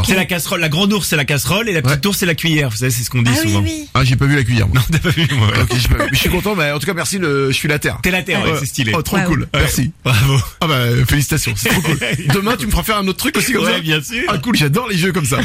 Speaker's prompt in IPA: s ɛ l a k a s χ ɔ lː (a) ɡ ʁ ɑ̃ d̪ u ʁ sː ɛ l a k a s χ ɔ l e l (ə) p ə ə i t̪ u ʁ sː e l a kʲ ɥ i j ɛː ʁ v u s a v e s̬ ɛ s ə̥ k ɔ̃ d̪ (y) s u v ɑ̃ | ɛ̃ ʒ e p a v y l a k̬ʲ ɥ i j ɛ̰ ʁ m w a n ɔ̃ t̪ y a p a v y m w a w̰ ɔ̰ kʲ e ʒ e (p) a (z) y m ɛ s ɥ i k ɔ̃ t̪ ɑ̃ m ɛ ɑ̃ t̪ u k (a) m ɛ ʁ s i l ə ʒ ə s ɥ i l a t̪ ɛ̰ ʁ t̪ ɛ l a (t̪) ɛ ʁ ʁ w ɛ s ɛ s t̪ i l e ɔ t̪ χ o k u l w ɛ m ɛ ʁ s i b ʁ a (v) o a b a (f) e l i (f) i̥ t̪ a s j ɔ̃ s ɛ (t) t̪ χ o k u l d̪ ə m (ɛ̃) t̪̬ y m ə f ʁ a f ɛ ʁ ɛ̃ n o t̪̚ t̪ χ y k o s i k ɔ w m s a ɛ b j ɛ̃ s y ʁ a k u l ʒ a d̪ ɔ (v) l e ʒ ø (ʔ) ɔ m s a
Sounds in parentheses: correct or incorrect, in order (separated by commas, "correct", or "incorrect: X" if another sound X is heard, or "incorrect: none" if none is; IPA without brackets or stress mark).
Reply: correct, incorrect: a, incorrect: i, correct, incorrect: v, correct, correct, correct, correct, incorrect: s, correct, correct, incorrect: ʁ, incorrect: k